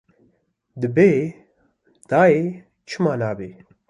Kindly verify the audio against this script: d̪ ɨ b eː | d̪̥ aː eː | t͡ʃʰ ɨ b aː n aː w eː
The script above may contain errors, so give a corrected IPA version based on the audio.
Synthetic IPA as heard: d̪ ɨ b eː | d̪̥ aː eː | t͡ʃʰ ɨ m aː n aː b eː

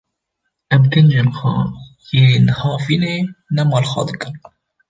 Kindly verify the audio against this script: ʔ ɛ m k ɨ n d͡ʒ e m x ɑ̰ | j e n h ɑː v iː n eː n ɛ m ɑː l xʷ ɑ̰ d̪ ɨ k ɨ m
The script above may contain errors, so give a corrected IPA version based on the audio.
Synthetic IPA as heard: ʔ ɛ m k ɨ n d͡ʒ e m x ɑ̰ | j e n h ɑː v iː n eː n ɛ m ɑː l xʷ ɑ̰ d̪ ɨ k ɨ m

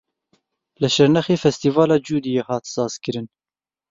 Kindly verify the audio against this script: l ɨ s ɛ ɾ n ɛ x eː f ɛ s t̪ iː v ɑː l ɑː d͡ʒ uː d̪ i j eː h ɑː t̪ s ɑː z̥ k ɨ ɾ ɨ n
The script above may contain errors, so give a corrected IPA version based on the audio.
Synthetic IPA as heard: l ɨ ʃ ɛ ɾ n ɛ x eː f ɛ s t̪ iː v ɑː l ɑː d͡ʒ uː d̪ i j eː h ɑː t̪ s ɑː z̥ k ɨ ɾ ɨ n

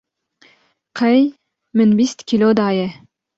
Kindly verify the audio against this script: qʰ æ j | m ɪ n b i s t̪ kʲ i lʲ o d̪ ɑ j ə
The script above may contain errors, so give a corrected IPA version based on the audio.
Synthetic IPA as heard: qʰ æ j | m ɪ n b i s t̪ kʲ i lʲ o d̪ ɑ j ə

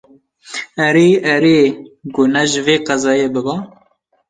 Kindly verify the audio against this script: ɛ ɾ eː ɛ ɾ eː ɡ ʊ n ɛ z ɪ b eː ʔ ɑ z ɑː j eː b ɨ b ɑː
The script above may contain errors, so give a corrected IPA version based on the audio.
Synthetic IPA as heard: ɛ ɾ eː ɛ ɾ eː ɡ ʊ n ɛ ʒ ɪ v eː q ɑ z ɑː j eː b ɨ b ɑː

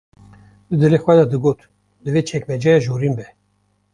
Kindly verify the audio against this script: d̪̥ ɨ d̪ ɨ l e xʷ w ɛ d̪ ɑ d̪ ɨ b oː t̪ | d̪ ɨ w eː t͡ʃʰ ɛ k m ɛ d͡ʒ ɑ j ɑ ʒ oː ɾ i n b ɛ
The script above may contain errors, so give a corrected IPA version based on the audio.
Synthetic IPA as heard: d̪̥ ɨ d̪ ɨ l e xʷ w ɛ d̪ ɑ d̪ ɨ ɡ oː t̪ | d̪ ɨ v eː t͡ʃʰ ɛ k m ɛ d͡ʒ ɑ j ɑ ʒ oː ɾ i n b ɛ

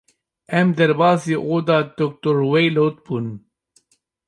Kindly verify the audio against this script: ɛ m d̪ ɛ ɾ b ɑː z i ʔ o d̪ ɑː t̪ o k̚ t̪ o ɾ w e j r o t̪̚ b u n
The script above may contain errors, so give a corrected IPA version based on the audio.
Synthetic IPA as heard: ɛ m d̪ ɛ ɾ b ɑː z i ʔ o d̪ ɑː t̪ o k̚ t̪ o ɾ w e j l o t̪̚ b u n

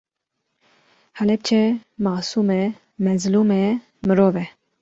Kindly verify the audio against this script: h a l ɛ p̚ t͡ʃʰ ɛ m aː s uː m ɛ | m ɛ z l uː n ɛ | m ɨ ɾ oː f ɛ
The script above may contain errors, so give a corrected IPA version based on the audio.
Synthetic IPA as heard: h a l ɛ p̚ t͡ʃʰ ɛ m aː s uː m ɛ | m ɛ z l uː m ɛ | m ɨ ɾ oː v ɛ

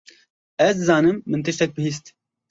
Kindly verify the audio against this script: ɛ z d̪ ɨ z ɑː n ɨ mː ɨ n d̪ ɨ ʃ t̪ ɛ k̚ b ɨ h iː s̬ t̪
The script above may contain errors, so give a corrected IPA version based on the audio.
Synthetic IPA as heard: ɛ z d̪ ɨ z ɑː n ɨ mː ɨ n t̪ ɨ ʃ t̪ ɛ k̚ b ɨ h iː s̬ t̪

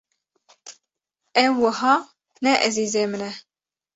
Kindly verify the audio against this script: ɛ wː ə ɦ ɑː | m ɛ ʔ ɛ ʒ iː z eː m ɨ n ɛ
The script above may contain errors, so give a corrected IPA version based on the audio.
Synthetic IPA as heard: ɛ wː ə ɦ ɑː | n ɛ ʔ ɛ z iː z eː m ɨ n ɛ

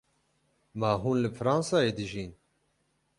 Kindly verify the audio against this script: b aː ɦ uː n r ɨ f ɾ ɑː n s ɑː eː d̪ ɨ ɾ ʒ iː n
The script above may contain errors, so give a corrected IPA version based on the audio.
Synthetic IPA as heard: m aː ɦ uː n l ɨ f ɾ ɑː n s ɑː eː d̪ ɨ ʒ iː n

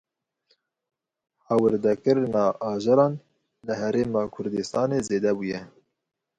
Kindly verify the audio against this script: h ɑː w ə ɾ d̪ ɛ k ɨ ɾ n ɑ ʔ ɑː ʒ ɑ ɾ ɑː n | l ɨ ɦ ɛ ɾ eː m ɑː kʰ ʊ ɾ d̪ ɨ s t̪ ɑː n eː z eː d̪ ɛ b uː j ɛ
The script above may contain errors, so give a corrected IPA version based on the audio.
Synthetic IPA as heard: h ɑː w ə ɾ d̪ ɛ k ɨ ɾ n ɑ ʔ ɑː ʒ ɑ ɾ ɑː n | l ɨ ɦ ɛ ɾ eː m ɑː kʰ ʊ ɾ d̪ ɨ s t̪ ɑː n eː z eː d̪ ɛ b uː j ɛ

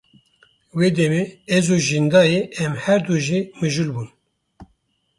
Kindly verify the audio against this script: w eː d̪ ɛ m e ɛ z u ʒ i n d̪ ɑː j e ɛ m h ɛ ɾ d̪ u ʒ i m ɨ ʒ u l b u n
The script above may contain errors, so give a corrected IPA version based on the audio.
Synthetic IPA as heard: w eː d̪ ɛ m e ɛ z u ʒ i n d̪ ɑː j e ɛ m h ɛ ɾ d̪ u ʒ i m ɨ ʒ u l b u n

